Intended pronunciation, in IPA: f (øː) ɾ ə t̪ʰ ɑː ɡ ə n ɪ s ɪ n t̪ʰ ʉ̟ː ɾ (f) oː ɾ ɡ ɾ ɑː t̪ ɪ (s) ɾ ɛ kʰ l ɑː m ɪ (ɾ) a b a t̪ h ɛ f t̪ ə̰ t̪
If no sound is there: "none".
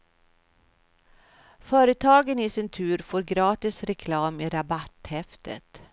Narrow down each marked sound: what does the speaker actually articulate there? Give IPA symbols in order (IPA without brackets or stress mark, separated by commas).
œː, f, s, ɾ